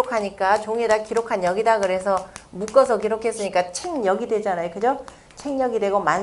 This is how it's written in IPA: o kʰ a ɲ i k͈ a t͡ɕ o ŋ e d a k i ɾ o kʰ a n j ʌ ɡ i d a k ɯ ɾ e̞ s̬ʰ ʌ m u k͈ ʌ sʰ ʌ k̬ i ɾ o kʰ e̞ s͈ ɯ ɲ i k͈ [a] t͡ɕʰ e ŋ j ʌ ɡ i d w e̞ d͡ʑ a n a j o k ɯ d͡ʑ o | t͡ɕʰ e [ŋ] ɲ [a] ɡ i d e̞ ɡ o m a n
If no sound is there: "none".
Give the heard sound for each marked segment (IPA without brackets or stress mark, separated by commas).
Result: a, ŋ, ʌ